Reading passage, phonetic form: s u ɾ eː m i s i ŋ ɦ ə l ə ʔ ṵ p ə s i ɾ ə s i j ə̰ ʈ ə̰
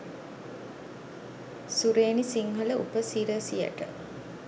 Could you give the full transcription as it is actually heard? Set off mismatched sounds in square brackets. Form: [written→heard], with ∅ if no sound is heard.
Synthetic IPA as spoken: s u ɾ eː [m→n] i s i ŋ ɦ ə l ə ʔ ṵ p ə s i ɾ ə s i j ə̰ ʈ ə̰